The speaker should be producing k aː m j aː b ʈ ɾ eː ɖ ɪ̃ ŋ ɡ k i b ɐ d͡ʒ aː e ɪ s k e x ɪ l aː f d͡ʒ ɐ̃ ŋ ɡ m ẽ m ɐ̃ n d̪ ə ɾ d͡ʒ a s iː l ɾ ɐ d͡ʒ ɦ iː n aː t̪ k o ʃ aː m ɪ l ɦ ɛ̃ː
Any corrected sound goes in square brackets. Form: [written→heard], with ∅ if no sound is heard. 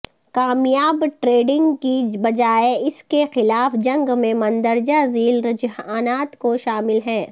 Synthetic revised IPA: k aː m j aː b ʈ ɾ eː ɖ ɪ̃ ŋ ɡ k i b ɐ d͡ʒ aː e ɪ s k e x ɪ l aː f d͡ʒ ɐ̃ ŋ ɡ m ẽ m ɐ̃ n d̪ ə ɾ d͡ʒ a [s→z] iː l ɾ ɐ d͡ʒ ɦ [iː→aː] n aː t̪ k o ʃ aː m ɪ l ɦ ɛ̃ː